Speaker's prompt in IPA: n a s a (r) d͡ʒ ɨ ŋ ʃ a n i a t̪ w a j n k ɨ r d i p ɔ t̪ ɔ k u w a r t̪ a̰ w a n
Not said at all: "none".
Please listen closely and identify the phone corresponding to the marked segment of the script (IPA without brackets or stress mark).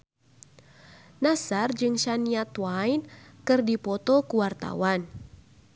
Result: r